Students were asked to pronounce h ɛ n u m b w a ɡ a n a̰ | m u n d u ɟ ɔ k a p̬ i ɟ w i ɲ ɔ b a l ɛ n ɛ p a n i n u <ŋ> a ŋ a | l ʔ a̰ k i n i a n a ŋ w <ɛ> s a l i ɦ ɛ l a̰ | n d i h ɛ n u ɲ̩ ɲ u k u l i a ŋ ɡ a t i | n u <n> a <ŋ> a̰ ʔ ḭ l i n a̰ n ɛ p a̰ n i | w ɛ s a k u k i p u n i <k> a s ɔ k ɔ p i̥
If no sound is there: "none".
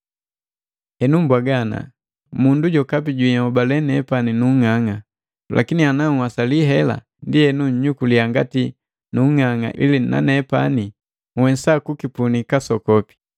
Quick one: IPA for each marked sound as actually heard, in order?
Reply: ŋ, a, ŋ, ŋ, k

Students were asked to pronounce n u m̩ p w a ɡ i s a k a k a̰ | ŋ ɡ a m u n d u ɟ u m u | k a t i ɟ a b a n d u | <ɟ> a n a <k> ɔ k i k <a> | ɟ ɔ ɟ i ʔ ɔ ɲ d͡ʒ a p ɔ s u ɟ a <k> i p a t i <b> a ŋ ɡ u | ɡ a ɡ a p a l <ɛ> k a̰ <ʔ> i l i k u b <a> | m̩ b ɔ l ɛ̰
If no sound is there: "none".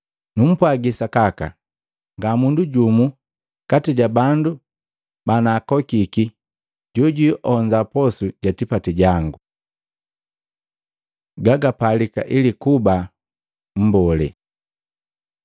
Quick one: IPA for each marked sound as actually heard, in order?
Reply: b, k, i, t, ɟ, i, ʔ, a

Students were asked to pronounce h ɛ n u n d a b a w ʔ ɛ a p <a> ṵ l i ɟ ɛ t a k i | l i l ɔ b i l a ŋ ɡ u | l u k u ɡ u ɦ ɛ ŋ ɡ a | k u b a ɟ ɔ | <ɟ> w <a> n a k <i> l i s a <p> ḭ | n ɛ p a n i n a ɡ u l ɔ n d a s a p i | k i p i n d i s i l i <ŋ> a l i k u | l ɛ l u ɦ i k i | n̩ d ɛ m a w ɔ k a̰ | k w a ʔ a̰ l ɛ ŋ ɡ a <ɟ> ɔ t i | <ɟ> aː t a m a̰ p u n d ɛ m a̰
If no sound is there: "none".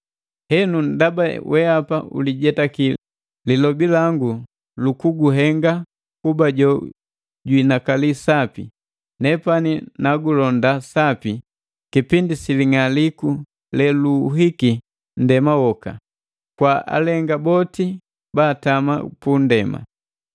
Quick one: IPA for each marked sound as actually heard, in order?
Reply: a, ɟ, i, a, p, ŋ, b, b

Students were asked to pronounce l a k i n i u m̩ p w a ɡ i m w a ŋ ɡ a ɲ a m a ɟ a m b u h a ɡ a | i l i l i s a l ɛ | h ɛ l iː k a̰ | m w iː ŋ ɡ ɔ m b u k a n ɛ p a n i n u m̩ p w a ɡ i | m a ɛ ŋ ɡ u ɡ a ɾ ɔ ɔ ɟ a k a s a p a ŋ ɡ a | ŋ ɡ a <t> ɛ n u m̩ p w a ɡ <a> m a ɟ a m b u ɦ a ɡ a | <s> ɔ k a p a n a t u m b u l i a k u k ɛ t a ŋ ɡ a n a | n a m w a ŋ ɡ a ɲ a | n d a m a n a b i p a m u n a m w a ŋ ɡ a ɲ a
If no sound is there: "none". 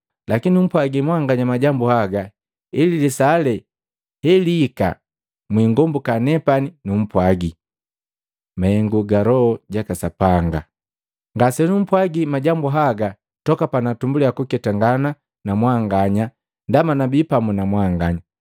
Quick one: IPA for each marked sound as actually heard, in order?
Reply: s, i, t

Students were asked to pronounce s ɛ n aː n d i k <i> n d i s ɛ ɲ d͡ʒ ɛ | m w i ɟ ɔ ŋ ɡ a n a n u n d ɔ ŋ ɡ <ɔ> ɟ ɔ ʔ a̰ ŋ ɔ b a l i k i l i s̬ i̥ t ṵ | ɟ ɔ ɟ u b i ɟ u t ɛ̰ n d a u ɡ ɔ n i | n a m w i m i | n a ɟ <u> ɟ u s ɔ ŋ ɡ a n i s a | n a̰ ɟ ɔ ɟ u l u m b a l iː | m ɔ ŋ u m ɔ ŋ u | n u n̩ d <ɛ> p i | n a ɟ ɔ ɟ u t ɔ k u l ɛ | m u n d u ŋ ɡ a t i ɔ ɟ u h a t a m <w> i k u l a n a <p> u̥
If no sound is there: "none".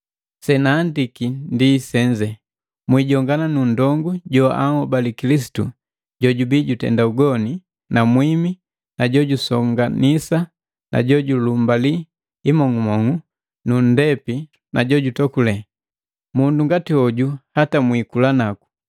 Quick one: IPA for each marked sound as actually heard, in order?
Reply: i, u, ɔ, ɛ, w, k

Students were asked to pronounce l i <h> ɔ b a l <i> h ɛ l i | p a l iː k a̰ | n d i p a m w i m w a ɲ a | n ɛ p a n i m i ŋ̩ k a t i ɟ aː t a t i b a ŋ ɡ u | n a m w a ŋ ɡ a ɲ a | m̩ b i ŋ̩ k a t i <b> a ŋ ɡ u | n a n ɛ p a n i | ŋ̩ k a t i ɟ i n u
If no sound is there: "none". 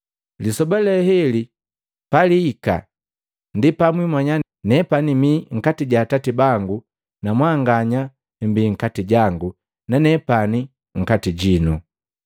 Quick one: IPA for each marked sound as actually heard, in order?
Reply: s, ɛ, ɟ

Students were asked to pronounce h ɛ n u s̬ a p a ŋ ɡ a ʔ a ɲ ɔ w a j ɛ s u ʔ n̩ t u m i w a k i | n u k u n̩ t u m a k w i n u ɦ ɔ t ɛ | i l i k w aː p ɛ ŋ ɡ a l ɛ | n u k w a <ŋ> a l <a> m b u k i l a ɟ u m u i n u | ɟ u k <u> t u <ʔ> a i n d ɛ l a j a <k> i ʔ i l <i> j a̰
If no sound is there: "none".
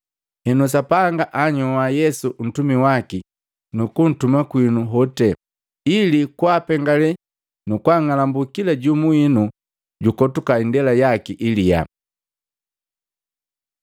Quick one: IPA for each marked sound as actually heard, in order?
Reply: ŋ, a, ɔ, k, k, i

